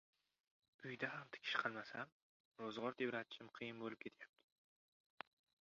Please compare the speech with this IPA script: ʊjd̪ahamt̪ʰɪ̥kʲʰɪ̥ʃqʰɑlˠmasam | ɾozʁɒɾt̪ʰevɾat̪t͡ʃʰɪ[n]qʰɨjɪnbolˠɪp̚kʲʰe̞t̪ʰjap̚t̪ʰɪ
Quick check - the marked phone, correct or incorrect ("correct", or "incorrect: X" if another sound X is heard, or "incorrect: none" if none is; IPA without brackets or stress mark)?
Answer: incorrect: m